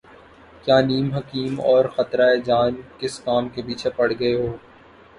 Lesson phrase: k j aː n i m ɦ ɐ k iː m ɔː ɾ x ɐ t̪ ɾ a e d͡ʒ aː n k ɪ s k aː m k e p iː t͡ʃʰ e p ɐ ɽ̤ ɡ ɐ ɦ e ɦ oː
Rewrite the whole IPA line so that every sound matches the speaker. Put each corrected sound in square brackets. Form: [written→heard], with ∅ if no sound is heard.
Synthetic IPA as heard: k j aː n [i→iː] m ɦ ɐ k iː m ɔː ɾ x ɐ t̪ ɾ a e d͡ʒ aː n k ɪ s k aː m k e p iː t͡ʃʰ e p ɐ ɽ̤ ɡ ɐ [ɦ→∅] e ɦ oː